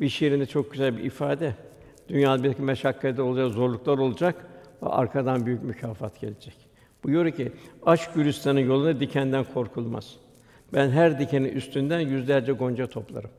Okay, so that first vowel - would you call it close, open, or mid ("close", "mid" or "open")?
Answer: close